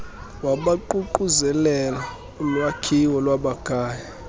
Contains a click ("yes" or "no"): yes